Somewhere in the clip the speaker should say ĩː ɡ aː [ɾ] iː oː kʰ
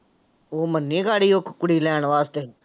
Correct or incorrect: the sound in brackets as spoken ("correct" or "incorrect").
incorrect